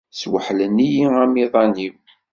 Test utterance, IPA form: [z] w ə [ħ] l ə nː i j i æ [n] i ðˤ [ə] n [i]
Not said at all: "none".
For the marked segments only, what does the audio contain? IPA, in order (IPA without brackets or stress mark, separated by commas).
s, ħ, m, ɑ, i